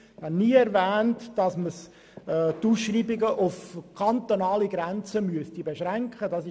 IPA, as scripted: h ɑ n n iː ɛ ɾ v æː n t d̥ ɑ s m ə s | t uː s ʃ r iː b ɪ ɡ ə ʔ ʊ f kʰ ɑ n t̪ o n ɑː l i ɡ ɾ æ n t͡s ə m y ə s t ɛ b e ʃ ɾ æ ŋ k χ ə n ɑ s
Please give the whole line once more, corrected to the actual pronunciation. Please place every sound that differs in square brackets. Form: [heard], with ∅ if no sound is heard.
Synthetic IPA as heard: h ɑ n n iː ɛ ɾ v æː n t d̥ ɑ s m ə s | t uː s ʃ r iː b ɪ ɡ ə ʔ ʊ f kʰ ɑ n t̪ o n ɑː l i ɡ ɾ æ n t͡s ə m y ə s t [i] b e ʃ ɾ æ ŋ k χ ə [d] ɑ s